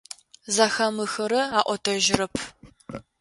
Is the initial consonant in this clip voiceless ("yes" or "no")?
no